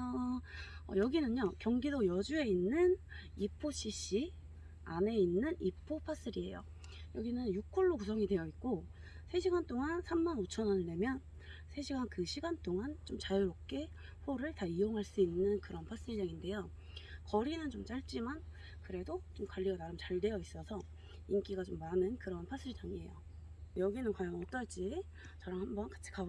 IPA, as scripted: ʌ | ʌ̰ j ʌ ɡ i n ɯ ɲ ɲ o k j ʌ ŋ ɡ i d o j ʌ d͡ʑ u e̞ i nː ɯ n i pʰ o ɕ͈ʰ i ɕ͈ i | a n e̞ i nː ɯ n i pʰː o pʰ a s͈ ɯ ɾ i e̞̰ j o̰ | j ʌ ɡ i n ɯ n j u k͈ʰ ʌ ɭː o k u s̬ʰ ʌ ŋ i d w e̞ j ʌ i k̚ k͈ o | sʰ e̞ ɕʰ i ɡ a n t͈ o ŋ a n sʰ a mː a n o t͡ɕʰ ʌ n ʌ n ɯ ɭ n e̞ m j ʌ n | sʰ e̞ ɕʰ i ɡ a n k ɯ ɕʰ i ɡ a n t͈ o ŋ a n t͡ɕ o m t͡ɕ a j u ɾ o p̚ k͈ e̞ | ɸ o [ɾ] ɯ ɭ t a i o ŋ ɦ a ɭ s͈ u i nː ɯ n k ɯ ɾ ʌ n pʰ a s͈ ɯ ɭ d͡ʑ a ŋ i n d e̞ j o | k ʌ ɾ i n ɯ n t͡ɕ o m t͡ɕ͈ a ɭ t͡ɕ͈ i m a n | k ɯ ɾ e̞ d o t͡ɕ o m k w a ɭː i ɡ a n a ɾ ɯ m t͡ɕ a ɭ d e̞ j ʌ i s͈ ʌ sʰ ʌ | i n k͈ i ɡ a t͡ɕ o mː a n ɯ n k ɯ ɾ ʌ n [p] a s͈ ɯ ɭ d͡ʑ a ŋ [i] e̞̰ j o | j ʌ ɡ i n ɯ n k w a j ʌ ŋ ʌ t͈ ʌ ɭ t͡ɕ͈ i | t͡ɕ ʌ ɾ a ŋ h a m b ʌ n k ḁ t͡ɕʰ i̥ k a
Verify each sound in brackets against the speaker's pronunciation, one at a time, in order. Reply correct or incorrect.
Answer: correct, incorrect: pʰ, correct

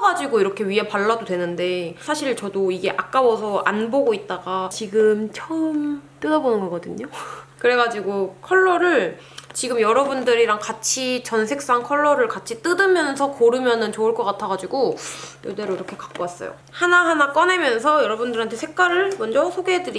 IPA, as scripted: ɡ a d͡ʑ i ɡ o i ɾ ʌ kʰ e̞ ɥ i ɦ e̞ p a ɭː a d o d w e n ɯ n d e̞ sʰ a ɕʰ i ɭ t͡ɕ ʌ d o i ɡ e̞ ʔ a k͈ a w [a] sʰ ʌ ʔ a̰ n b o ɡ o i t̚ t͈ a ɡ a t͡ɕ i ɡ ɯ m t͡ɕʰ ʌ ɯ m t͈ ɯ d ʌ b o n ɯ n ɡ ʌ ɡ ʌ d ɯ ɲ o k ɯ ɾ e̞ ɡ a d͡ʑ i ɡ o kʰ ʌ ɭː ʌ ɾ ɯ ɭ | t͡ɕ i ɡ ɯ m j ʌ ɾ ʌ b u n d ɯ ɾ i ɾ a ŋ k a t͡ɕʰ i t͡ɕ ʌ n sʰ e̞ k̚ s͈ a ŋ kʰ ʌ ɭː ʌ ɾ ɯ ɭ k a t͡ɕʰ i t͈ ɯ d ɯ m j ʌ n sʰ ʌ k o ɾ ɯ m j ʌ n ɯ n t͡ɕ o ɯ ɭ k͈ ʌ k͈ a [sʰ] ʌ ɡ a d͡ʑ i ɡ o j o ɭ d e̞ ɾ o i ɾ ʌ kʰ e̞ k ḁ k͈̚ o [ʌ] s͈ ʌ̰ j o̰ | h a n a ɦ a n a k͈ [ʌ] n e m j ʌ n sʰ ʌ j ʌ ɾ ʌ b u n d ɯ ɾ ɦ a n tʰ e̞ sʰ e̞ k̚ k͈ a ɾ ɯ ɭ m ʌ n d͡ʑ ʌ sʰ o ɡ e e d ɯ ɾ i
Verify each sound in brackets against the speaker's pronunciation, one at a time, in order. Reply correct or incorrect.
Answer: incorrect: ʌ, incorrect: tʰ, incorrect: a, correct

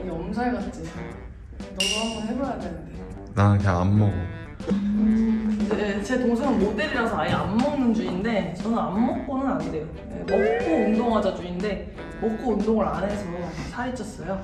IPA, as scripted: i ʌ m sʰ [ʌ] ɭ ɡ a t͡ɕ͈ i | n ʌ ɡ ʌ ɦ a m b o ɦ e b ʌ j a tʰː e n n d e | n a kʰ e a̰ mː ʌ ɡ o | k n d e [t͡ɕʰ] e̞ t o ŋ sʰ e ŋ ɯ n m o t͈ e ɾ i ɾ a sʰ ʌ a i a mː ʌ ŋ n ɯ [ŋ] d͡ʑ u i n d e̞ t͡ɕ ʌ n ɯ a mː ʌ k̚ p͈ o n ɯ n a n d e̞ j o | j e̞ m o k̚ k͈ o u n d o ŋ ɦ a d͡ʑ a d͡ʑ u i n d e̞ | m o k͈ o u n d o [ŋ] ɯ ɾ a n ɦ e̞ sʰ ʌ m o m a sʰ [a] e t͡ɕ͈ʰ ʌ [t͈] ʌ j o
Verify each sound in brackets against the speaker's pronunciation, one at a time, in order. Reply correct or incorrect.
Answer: incorrect: a, incorrect: t͡ɕ, incorrect: n, correct, correct, incorrect: s͈

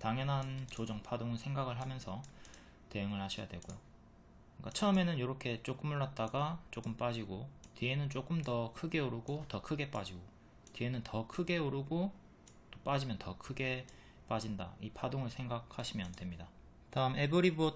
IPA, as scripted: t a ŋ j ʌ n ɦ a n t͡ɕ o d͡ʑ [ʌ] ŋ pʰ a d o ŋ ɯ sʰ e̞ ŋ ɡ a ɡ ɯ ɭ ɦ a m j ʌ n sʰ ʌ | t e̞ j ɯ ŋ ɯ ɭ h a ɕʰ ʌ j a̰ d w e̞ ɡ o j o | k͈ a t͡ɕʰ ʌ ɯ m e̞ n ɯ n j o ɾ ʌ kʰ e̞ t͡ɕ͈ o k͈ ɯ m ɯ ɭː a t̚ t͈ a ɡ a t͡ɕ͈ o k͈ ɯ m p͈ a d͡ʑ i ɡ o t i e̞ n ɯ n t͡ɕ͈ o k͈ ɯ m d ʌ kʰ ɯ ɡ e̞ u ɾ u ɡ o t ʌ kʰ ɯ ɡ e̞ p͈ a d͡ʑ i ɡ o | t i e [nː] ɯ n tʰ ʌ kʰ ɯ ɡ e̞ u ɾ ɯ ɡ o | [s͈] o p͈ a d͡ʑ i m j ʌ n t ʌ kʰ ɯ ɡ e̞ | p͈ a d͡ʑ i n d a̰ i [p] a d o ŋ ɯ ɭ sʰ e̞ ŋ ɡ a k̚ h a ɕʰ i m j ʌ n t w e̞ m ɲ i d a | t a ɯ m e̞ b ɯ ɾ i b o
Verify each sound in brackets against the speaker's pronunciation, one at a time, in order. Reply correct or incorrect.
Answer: correct, incorrect: n, incorrect: t͈, incorrect: pʰ

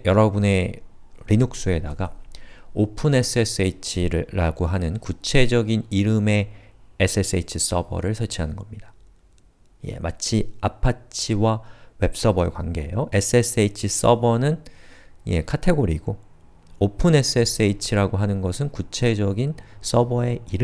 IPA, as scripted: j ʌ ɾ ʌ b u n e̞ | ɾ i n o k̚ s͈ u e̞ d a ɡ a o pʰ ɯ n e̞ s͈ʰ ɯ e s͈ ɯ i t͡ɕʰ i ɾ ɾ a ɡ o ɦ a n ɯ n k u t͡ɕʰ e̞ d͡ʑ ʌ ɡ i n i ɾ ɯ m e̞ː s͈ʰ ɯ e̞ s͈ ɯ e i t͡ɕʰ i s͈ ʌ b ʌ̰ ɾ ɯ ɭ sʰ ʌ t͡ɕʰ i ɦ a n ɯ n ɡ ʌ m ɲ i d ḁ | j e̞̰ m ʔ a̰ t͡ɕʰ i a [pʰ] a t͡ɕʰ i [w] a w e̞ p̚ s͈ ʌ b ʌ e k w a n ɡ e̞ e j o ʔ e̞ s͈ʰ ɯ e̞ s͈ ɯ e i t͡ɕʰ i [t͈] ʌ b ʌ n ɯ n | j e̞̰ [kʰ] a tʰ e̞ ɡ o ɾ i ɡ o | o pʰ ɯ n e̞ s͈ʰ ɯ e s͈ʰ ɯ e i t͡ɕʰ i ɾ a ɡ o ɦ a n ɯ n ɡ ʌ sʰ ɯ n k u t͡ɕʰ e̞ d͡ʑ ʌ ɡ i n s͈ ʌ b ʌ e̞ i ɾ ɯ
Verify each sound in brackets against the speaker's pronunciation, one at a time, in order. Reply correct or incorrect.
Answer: correct, correct, incorrect: s͈, correct

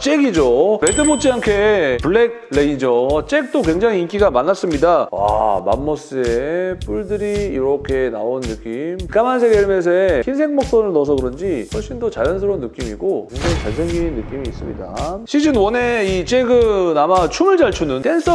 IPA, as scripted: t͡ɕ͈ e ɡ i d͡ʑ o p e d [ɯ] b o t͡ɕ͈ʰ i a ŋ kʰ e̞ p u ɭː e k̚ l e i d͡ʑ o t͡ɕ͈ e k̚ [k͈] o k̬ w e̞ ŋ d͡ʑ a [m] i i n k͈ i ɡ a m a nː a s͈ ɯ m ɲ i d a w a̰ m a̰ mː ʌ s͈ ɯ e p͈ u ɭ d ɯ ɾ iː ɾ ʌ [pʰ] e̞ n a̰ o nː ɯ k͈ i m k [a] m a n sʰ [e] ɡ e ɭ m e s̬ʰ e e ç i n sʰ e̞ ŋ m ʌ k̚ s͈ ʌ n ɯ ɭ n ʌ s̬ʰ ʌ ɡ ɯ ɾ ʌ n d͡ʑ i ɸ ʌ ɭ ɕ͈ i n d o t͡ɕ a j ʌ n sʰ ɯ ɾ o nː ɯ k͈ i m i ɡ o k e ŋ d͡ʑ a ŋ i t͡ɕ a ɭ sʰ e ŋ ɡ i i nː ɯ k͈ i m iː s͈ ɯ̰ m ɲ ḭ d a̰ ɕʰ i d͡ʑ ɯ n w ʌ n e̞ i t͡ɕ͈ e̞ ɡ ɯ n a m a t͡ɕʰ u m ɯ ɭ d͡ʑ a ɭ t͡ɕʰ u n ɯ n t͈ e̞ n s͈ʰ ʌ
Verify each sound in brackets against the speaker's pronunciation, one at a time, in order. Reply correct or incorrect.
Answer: correct, incorrect: t͈, incorrect: ŋ, incorrect: kʰ, correct, correct

